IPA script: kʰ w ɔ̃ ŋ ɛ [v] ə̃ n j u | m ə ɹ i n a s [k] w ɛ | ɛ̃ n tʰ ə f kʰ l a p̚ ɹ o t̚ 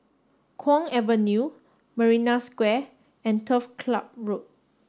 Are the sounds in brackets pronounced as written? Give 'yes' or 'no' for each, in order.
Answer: yes, yes

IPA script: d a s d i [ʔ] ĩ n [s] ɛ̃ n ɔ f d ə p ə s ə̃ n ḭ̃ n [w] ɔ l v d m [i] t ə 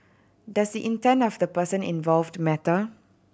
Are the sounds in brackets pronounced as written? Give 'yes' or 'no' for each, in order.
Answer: yes, no, no, no

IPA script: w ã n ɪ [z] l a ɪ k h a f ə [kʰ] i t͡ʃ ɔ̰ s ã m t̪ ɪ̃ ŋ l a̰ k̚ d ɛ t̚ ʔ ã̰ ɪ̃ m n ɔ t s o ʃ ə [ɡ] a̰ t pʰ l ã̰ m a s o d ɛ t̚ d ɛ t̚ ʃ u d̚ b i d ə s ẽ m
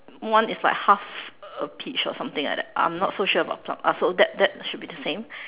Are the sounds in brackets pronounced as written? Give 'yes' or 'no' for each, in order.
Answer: no, no, no

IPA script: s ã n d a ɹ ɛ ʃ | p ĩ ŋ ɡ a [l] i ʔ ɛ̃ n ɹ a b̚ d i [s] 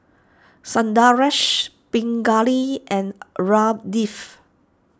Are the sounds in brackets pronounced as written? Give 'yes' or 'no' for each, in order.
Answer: yes, no

